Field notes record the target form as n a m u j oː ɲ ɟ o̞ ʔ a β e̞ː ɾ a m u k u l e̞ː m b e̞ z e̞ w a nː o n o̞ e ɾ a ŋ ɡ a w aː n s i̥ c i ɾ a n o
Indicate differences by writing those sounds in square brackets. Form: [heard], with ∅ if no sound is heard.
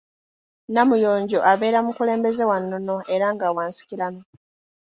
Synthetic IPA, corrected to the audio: n a m u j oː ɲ ɟ o̞ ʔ a β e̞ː ɾ a m u k u l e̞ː m b e̞ z e̞ w a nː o n o̞ e ɾ a ŋ ɡ a w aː n s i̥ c i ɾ a n o